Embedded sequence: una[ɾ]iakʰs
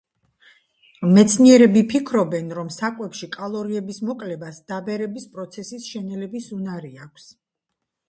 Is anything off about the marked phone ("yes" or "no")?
no